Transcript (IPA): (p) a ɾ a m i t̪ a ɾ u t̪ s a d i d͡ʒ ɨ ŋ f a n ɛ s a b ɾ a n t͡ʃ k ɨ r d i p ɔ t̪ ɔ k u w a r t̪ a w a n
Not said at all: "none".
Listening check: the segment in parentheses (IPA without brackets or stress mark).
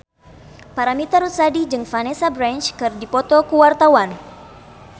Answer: p